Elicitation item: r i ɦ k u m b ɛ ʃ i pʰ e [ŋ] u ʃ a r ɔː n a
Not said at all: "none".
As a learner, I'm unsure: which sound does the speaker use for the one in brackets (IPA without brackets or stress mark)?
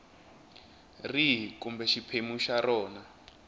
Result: m